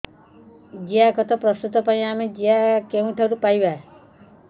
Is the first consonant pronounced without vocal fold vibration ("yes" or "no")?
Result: no